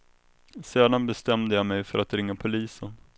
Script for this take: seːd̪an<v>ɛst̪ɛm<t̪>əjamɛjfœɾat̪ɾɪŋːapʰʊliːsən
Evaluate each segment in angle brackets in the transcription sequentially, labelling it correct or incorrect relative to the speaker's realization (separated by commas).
incorrect, incorrect